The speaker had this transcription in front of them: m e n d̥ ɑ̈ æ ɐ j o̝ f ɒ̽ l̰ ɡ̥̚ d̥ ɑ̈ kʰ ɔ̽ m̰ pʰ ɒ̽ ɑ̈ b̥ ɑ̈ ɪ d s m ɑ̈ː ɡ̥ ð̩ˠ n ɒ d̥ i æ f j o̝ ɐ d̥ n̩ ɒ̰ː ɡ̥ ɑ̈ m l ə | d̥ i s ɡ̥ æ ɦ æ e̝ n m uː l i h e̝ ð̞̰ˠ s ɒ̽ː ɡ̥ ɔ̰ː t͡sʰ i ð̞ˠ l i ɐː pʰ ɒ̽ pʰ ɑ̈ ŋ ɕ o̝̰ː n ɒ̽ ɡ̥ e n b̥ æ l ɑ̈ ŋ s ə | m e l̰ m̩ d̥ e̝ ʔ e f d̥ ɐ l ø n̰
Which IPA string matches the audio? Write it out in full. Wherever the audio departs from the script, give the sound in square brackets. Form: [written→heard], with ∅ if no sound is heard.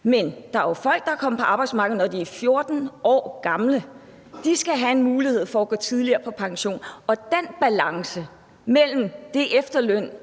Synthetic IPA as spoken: m e n d̥ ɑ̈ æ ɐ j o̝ f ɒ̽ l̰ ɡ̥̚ d̥ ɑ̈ kʰ [ɔ̽→ɒ̽] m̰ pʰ ɒ̽ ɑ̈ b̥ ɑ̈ ɪ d s m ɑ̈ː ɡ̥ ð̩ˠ n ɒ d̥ i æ f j o̝ ɐ d̥ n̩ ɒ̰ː ɡ̥ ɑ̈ m l ə | d̥ i s ɡ̥ æ ɦ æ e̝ n m uː l i h e̝ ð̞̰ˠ [s→f] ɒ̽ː ɡ̥ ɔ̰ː t͡sʰ i ð̞ˠ l i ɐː pʰ ɒ̽ pʰ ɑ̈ ŋ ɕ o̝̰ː n ɒ̽ [ɡ̥→d̥] e n b̥ æ l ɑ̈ ŋ s ə | m e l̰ m̩ d̥ e̝ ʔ e f d̥ ɐ l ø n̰